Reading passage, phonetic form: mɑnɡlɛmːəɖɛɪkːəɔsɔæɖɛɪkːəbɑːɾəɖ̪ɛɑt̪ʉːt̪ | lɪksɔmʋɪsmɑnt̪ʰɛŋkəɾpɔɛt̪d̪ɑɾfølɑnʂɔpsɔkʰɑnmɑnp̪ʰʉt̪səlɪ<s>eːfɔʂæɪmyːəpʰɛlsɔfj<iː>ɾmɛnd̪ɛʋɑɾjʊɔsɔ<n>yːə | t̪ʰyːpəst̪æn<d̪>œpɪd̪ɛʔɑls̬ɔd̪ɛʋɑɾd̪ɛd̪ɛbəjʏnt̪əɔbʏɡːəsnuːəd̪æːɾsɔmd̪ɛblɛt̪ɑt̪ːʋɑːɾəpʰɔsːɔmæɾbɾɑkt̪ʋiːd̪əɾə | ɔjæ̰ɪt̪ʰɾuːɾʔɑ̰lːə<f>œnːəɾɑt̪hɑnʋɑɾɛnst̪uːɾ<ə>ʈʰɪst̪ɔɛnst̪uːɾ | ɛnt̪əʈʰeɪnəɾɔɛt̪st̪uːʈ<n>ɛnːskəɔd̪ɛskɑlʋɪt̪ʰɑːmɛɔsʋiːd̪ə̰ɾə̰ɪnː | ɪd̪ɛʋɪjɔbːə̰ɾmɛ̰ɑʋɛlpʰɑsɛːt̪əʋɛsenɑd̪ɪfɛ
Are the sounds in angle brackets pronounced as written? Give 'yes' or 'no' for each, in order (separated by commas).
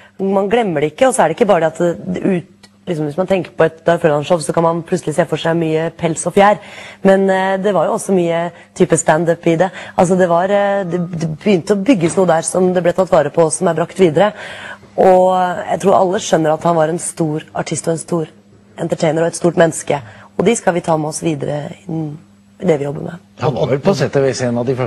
yes, no, no, yes, no, no, no